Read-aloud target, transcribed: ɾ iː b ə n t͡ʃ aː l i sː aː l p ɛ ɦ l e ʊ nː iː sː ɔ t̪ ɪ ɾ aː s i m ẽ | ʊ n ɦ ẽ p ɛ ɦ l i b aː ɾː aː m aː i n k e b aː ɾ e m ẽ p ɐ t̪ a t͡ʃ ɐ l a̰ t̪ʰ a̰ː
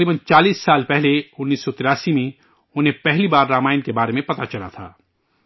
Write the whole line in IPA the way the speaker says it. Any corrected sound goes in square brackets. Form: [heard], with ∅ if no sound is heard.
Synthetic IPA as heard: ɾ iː b ə n t͡ʃ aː l [iː] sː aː l p ɛ ɦ l e ʊ nː iː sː ɔ t̪ ɪ ɾ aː s i m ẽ | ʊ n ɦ ẽ p ɛ ɦ l i b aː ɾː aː m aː [ɪ] n k e b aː ɾ e m ẽ p ɐ t̪ a t͡ʃ ɐ l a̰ t̪ʰ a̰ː